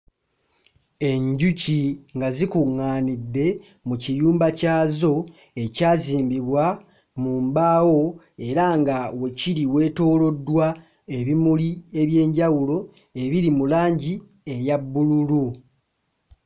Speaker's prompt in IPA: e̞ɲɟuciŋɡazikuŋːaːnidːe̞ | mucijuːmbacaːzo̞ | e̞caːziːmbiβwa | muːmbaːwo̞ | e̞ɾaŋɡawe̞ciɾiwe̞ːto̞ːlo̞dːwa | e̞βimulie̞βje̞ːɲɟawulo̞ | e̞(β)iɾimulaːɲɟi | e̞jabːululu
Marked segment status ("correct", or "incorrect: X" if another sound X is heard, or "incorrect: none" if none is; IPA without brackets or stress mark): correct